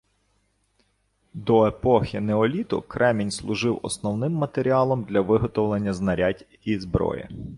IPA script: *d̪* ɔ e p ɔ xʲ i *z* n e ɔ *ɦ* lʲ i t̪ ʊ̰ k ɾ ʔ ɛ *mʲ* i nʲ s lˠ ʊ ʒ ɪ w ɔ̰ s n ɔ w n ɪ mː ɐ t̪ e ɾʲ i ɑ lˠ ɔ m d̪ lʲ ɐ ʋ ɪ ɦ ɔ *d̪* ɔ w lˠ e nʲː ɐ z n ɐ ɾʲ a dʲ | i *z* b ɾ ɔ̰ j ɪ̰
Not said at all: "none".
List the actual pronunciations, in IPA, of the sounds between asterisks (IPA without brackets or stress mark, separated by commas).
d̪, none, none, mʲ, t̪, z